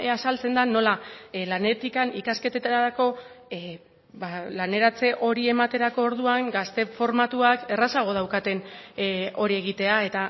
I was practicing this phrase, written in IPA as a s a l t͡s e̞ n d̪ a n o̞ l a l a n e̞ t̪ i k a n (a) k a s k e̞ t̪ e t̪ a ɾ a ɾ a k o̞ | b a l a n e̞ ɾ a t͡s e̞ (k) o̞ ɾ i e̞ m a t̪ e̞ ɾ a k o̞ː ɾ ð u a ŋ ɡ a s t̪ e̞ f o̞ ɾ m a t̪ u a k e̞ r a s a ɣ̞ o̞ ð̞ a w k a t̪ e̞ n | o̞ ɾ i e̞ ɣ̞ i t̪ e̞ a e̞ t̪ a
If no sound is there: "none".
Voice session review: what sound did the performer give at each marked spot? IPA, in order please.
i, ʔ

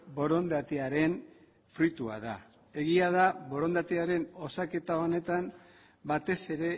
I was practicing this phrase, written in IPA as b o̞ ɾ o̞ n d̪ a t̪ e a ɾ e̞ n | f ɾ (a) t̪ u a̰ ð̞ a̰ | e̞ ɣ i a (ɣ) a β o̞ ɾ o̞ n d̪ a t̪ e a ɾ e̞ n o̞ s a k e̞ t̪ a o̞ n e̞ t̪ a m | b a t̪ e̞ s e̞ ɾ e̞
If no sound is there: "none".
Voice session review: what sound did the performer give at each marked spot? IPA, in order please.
i, ð

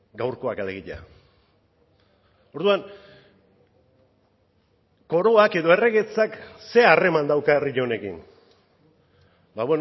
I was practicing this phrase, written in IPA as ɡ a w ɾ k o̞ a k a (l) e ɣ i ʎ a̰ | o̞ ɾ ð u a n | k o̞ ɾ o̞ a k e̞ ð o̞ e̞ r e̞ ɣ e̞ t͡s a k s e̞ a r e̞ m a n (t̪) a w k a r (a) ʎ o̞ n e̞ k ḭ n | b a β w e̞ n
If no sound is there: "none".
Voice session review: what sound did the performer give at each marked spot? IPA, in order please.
l, d̪, i

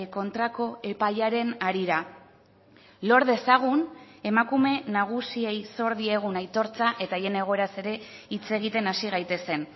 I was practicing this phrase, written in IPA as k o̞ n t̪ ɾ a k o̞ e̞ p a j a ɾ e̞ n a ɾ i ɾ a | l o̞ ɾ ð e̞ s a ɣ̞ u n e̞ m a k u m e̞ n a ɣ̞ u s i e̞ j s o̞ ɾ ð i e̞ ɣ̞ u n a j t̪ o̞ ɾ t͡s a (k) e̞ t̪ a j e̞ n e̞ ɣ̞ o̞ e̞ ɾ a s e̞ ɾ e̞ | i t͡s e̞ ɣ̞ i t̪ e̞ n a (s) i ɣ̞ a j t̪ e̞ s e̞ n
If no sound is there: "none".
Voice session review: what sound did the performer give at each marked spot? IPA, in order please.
ʔ, s

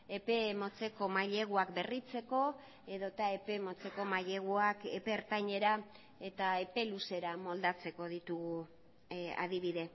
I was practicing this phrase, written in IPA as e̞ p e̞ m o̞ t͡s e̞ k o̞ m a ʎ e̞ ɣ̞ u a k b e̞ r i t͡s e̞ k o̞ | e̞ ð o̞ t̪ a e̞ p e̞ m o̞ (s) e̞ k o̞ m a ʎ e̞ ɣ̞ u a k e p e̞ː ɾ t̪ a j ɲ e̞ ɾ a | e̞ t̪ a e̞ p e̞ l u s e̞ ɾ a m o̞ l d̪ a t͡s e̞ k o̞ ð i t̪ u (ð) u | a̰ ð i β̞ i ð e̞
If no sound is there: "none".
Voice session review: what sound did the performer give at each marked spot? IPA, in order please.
t͡s, ɣ

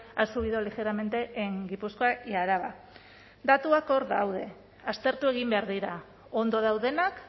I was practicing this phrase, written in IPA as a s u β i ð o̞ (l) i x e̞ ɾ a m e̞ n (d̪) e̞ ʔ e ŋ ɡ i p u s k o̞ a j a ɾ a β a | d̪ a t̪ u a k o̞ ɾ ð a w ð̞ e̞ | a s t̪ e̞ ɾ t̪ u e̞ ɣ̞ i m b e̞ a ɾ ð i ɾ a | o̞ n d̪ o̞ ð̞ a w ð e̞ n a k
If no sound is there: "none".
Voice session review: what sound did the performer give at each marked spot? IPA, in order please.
l, t̪

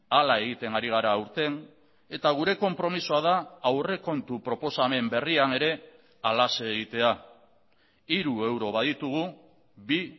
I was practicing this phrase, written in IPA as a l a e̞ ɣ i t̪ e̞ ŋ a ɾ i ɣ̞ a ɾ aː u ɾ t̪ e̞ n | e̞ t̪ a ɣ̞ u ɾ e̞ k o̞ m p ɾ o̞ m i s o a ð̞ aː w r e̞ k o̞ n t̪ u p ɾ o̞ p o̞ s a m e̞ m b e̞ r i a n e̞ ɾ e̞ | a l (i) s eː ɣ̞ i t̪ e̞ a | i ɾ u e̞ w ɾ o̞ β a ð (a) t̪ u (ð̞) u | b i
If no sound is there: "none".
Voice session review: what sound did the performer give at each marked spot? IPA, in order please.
a, i, ɣ̞

